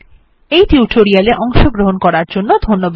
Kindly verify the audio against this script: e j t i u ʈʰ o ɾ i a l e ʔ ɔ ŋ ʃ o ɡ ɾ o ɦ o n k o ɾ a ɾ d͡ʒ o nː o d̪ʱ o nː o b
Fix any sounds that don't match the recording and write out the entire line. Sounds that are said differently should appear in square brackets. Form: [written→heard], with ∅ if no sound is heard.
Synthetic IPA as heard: e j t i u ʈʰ o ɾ i a l e ʔ ɔ ŋ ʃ o ɡ ɾ o ɦ o n k [o→ɔ] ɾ a ɾ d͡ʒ o nː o d̪ʱ o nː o b

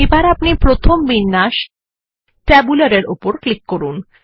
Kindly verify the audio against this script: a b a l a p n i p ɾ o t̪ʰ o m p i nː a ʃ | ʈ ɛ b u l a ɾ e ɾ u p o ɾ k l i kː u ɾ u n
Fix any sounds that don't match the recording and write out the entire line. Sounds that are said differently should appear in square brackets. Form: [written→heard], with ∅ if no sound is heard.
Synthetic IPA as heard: [a→e] b a [l→ɾ] a p n i p ɾ o t̪ʰ o m [p→b] i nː a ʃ | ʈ ɛ b u l a ɾ e ɾ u p o ɾ k l i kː [u→o] ɾ u n

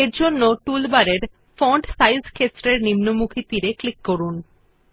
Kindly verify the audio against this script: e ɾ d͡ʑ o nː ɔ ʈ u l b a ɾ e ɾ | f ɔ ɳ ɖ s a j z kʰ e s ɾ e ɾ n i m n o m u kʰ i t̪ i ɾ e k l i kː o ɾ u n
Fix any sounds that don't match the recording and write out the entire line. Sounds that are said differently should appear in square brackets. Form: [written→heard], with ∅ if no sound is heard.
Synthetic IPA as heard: e ɾ d͡ʑ o nː [ɔ→o] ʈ u l b a ɾ e ɾ | f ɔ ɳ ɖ s a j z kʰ e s ɾ e ɾ n i m n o m u kʰ i t̪ i ɾ e k l i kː o ɾ u n

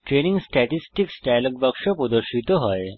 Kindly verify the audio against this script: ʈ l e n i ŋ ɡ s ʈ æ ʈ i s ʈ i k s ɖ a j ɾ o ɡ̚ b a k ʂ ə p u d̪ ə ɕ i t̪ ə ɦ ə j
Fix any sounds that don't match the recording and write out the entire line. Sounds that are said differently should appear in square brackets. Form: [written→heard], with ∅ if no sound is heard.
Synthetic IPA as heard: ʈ [l→ɾ] e n i ŋ ɡ s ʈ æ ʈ i s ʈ i k s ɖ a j [ɾ→l] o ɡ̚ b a k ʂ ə p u d̪ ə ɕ i t̪ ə ɦ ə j

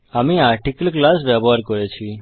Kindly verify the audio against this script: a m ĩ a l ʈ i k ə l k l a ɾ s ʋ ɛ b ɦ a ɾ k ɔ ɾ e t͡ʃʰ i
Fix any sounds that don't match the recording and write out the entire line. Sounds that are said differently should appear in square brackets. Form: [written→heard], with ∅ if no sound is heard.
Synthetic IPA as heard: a m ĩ a [l→ɾ] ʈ i k ə l k l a [ɾ→∅] s ʋ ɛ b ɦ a ɾ k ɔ ɾ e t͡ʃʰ i

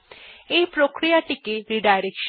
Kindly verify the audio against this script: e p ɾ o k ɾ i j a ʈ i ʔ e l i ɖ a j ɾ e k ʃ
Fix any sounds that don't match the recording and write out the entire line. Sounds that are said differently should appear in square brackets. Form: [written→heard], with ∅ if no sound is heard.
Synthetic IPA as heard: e p ɾ o k ɾ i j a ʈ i [ʔ→k] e [l→ɾ] i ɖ a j ɾ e k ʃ

